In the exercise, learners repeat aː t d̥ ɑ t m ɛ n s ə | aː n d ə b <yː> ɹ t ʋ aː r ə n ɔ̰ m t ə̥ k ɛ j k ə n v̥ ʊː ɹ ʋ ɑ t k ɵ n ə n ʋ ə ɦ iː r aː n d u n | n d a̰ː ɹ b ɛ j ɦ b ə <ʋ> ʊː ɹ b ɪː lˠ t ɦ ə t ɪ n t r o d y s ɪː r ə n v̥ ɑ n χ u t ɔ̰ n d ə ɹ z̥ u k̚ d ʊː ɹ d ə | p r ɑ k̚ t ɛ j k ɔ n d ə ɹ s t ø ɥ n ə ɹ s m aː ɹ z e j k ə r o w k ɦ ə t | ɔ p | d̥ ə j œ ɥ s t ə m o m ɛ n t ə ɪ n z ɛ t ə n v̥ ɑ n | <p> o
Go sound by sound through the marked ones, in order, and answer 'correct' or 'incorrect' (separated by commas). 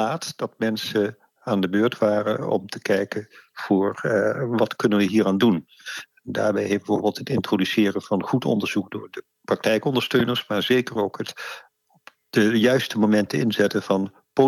incorrect, incorrect, correct